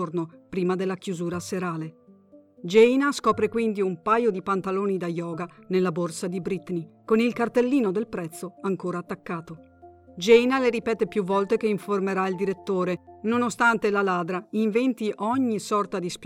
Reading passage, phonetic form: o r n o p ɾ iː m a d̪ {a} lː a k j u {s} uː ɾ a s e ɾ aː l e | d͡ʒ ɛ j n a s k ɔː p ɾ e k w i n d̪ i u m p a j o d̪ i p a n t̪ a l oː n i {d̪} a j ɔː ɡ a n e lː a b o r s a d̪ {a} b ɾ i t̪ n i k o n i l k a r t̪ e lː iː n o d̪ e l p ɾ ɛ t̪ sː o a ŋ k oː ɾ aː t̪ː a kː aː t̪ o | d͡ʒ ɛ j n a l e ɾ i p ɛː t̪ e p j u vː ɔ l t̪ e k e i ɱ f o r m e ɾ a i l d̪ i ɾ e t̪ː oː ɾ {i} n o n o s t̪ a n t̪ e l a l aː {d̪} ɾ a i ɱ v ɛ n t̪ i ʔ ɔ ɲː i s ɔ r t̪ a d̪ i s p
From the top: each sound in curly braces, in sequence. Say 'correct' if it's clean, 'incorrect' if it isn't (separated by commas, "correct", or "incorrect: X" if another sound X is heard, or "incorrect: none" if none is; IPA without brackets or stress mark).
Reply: incorrect: e, incorrect: z, correct, incorrect: i, incorrect: e, correct